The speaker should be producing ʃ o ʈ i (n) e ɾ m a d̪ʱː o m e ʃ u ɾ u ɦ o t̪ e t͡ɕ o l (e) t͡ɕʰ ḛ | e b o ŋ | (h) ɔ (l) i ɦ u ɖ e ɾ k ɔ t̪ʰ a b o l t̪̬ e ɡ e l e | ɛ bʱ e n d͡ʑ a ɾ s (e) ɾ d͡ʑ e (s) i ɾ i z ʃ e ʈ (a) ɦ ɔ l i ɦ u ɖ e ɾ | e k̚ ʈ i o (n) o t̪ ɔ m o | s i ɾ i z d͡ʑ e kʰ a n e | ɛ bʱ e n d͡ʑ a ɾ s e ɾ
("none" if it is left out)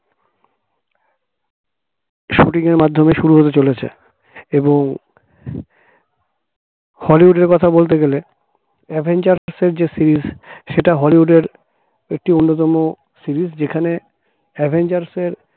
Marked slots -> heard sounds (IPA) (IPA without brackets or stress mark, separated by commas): ŋ, e, h, l, e, s, a, nː